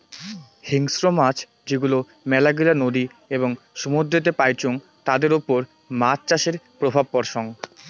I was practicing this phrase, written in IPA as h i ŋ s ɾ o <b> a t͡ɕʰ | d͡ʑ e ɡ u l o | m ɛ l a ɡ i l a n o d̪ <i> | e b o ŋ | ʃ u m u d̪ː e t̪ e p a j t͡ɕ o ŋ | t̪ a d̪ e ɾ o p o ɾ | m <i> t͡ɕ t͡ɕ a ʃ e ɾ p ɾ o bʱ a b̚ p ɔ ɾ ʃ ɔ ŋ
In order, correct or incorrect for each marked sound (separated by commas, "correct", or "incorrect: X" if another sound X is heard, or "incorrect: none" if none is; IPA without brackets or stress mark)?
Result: incorrect: m, correct, incorrect: a